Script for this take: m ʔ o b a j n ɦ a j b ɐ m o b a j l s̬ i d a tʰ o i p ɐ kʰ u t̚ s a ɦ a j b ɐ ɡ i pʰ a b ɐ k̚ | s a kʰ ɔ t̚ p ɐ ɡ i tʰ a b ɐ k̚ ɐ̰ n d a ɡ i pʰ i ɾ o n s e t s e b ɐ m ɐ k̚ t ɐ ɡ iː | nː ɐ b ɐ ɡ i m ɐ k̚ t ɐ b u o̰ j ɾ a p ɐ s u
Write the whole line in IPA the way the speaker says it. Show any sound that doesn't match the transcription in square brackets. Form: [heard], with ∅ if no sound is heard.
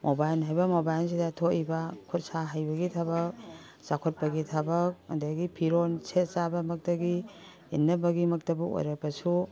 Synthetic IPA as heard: m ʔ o b a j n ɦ a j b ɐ m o b a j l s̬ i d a tʰ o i [b] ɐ kʰ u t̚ s a ɦ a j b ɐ ɡ i [tʰ] a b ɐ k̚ | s a kʰ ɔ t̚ p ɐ ɡ i tʰ a b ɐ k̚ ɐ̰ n d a ɡ i pʰ i ɾ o n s e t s [a] b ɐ m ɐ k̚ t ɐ ɡ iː | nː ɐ b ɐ ɡ i m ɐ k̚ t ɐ b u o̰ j ɾ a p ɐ s u